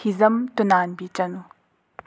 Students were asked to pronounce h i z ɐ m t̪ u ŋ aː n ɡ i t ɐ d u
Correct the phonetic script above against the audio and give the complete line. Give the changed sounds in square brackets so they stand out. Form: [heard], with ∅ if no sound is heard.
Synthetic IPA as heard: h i z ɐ m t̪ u [n] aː n [b] i [t͡ʃ] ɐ [n] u